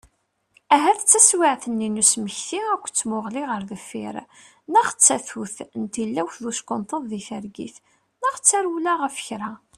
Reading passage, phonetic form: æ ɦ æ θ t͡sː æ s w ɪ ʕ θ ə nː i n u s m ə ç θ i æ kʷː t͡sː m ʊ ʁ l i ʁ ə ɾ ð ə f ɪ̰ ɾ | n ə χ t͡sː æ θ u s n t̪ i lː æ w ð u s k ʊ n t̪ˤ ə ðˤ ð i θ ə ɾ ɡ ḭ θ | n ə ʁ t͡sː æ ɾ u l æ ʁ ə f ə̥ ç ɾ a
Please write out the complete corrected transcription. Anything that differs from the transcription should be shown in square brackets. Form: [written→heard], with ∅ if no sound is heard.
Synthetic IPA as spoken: æ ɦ æ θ t͡sː æ s w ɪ ʕ θ ə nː i n u s m ə ç θ i æ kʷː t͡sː m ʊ ʁ l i ʁ ə ɾ ð ə f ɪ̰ ɾ | n ə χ t͡sː æ θ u [s→θ] n t̪ i lː æ w ð u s k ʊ n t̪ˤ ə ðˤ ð i θ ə ɾ ɡ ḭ θ | n ə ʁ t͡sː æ ɾ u l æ ʁ ə f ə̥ ç ɾ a